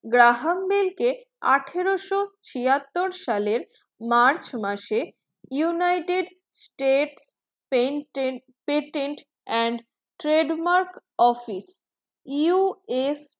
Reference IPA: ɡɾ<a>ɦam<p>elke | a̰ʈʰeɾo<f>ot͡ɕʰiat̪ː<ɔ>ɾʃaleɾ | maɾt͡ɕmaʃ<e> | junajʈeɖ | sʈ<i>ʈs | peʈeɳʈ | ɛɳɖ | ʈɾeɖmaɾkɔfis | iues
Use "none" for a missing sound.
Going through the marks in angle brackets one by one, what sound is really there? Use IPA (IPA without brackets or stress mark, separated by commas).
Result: a, b, ʃ, o, e, e